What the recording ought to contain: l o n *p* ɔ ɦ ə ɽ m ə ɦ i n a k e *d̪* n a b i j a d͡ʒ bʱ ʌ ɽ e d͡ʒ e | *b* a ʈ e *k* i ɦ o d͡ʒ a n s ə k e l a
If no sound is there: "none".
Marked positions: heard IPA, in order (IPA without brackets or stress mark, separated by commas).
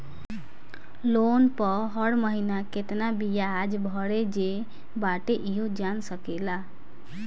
p, t̪, b, ʔ